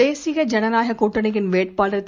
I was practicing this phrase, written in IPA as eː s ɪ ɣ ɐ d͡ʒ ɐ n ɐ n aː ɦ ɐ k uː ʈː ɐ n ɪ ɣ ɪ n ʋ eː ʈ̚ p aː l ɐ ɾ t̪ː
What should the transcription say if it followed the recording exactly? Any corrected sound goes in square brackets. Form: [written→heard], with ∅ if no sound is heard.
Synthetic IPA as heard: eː s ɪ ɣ ɐ d͡ʒ ɐ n ɐ n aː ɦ ɐ k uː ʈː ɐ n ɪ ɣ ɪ n ʋ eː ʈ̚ p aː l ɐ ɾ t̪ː